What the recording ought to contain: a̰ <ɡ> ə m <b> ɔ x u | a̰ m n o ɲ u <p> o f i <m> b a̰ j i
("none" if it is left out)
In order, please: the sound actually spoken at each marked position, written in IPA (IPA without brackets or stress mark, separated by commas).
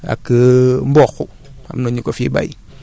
k, b, k, none